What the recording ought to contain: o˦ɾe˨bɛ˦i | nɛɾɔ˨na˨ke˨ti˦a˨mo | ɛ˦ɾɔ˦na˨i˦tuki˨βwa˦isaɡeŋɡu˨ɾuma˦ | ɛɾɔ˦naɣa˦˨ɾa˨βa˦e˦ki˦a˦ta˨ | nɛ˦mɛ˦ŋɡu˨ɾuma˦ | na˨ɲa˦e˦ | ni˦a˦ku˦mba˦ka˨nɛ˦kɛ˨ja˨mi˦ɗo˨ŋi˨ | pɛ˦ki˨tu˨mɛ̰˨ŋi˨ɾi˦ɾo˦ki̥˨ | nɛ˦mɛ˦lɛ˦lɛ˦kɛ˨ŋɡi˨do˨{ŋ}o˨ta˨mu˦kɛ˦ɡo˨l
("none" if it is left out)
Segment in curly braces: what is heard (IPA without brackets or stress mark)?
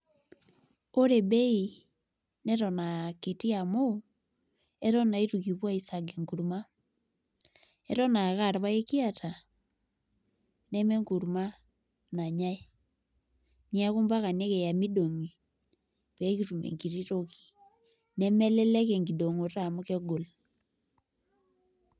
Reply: ŋ